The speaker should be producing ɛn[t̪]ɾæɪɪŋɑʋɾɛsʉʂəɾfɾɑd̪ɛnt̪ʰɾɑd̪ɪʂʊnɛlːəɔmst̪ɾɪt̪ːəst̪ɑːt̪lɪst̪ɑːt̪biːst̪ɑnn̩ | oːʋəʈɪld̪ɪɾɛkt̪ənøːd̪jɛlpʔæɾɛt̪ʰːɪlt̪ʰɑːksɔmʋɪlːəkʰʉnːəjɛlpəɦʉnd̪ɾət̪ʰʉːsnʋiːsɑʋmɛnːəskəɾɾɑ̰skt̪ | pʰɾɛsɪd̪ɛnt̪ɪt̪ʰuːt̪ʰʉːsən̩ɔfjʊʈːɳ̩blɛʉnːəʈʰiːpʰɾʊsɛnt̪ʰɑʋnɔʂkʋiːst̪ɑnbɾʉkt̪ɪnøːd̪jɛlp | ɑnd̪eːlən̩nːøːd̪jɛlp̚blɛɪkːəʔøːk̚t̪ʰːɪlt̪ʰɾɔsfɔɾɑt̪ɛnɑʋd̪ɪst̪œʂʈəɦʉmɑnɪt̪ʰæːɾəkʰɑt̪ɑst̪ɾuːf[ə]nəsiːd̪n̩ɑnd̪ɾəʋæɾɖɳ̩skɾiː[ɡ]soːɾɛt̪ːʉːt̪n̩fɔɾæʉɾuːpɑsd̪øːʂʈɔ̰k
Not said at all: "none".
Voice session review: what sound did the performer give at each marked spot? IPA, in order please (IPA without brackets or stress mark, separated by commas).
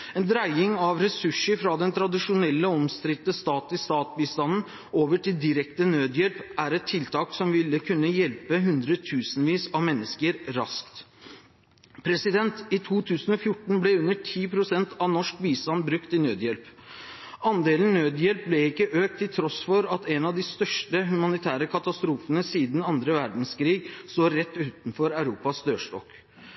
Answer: d̪, ə, ɡ